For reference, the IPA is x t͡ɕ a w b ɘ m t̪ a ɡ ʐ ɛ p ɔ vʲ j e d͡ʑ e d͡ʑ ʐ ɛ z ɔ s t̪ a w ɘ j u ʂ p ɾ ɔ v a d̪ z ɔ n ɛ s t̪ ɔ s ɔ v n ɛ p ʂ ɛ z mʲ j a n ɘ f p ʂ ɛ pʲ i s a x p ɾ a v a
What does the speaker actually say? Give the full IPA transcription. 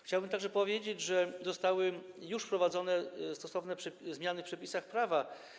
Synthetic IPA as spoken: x t͡ɕ a w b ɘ m t̪ a ɡ ʐ ɛ p ɔ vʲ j e d͡ʑ e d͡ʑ ʐ ɛ z ɔ s t̪ a w ɘ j u ʂ p ɾ ɔ v a d̪ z ɔ n ɛ s t̪ ɔ s ɔ v n ɛ p ʂ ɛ z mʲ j a n ɘ f p ʂ ɛ pʲ i s a x p ɾ a v a